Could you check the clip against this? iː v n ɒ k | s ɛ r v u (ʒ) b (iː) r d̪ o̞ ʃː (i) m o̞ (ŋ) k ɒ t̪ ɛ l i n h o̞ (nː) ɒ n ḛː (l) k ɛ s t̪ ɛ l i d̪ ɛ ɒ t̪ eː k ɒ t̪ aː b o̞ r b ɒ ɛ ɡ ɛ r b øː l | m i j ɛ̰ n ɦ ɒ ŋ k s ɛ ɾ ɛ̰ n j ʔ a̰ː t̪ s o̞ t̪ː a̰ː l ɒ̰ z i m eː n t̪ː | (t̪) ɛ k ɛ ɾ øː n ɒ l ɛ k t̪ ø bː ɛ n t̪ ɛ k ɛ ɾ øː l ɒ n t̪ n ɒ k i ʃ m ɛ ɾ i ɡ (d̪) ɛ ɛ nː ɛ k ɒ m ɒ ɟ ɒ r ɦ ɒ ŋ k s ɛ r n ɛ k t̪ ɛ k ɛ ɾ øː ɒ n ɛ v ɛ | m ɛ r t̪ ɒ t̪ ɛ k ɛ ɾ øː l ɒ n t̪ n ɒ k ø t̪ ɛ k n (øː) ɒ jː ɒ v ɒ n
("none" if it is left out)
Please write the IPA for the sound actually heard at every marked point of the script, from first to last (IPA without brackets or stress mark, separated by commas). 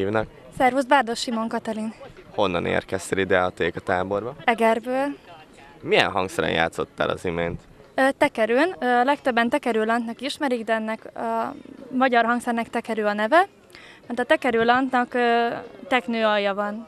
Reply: z, aː, i, ŋ, nː, r, t̪, d̪, øː